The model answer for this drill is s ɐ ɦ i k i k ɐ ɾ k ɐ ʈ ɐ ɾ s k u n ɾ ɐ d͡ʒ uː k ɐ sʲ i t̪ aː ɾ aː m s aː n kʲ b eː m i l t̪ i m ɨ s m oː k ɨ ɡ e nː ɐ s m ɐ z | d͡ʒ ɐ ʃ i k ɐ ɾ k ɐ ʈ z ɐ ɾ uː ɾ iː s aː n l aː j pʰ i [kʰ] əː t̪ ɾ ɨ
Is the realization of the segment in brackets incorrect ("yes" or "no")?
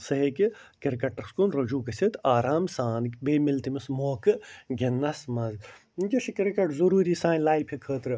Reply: no